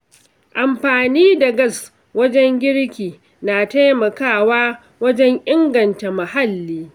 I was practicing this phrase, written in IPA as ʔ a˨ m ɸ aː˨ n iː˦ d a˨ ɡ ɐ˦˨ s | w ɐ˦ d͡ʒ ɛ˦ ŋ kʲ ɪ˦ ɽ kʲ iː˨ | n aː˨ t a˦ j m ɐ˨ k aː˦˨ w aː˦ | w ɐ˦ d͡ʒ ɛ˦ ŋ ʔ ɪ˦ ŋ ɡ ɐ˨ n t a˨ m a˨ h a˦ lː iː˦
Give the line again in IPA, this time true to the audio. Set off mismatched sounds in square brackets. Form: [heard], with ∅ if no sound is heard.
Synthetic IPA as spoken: ʔ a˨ m ɸ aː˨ n iː˦ d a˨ ɡ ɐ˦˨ s | w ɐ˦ d͡ʒ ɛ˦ ŋ [ɡʲ] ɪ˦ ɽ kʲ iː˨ | n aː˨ t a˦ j m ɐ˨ k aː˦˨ w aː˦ | w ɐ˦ d͡ʒ ɛ˦ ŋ ʔ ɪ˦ ŋ ɡ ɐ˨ n t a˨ m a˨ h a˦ lː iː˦